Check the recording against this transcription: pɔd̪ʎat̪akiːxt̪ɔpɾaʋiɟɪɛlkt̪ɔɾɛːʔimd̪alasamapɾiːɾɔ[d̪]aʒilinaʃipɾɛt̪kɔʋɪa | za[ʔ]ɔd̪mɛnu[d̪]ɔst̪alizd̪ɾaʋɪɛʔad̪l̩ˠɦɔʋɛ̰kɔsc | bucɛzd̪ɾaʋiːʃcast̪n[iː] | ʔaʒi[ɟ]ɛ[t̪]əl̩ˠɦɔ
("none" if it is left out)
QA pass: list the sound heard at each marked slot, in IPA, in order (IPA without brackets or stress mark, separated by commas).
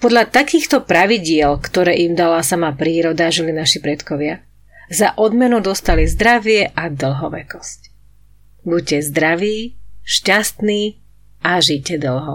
d̪, ʔ, d̪, iː, c, d̪